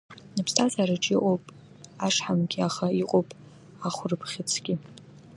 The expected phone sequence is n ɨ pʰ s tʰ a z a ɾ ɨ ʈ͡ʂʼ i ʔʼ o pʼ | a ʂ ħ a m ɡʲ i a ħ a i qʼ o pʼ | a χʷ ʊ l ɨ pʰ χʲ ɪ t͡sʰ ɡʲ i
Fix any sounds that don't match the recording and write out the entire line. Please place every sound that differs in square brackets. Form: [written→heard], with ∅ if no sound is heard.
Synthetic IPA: n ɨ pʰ s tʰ a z a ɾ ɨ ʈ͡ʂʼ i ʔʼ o pʼ | a ʂ ħ a m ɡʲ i a [ħ→χ] a i qʼ o pʼ | a χʷ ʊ [l→r] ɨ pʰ χʲ ɪ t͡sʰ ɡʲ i